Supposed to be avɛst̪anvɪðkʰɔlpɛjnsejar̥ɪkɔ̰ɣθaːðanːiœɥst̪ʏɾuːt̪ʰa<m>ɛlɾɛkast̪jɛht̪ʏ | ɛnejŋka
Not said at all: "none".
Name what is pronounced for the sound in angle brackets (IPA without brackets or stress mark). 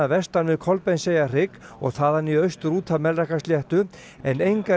m